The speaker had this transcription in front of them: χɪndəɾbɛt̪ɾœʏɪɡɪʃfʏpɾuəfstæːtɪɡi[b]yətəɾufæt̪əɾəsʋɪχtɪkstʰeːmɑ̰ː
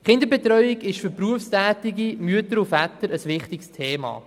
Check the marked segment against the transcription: incorrect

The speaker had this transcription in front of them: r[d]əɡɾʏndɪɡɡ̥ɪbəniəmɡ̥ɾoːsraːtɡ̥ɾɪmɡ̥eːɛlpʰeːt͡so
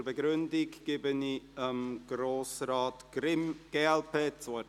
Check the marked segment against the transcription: incorrect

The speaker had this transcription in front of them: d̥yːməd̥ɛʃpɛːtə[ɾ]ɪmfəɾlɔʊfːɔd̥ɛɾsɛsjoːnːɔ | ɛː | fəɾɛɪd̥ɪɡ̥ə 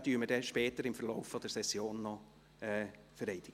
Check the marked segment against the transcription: correct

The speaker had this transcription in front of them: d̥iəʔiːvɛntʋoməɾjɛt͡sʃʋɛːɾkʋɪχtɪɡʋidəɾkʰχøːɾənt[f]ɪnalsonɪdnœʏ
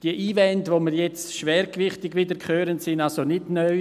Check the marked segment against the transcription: incorrect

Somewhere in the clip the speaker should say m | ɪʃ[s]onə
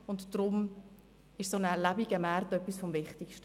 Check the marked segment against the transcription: correct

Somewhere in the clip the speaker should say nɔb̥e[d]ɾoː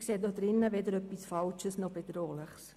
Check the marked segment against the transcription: correct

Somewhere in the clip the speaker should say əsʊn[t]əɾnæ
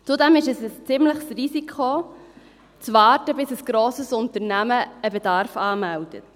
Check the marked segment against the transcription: correct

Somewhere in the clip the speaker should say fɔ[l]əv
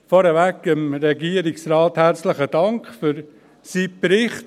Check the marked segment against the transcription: incorrect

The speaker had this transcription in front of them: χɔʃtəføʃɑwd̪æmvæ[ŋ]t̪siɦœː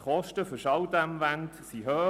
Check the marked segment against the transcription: incorrect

